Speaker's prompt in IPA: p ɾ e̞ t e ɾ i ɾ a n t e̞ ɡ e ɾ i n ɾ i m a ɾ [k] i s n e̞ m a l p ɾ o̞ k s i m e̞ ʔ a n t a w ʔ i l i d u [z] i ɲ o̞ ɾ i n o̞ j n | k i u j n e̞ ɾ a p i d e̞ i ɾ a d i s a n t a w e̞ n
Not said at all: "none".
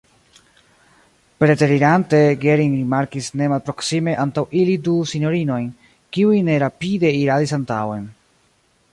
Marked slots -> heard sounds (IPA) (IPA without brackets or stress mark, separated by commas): k, s